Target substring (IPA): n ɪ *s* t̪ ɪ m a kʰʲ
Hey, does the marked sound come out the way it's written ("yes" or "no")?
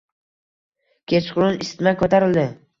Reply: yes